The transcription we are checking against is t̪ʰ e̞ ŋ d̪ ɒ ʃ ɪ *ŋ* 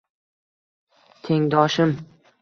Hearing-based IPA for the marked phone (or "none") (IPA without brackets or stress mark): m